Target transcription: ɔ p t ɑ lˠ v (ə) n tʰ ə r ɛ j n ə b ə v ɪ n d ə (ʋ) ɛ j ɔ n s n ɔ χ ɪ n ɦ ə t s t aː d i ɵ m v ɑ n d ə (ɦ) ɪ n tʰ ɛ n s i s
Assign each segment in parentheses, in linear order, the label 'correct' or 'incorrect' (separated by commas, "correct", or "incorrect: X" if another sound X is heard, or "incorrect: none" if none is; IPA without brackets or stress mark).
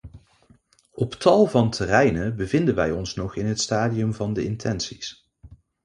incorrect: ɑ, correct, incorrect: none